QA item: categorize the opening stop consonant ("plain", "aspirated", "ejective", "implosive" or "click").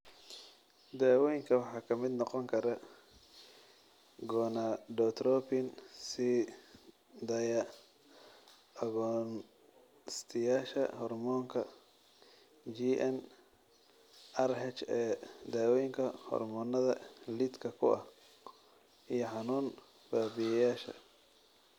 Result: plain